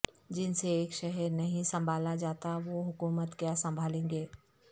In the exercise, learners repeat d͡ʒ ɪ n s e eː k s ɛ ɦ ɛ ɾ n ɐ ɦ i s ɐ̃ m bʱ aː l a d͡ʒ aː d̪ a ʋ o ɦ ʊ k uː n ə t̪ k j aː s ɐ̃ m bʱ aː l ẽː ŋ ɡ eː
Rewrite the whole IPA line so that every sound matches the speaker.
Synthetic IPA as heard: d͡ʒ ɪ n s e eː k ʃ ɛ ɦ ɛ ɾ n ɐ ɦ ĩ s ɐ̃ m bʱ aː l a d͡ʒ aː t̪ a ʋ o ɦ ʊ k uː m ə t̪ k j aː s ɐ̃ m bʱ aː l ẽː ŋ ɡ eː